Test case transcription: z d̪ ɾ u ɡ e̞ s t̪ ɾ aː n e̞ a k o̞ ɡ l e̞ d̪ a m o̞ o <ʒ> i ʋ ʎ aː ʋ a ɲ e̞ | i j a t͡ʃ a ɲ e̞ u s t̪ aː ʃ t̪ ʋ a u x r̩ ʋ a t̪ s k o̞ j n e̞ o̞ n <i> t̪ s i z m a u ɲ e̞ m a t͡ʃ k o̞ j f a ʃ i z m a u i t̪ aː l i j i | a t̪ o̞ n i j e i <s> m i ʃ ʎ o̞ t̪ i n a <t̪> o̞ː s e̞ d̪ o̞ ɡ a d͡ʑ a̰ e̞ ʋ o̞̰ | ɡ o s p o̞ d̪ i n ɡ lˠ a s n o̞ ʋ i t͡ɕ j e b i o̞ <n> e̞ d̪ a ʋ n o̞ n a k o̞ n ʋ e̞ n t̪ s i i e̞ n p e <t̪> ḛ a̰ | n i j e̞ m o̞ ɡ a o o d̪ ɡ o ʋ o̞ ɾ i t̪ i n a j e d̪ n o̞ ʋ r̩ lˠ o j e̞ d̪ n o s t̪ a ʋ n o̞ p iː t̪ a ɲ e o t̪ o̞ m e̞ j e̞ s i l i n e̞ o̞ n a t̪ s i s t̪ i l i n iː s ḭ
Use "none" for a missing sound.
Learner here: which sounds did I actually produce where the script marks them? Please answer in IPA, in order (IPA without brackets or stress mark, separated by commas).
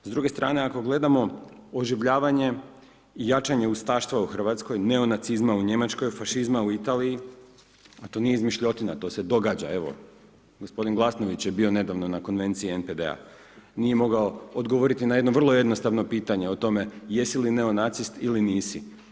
ʒ, a, z, t̪, n, d̪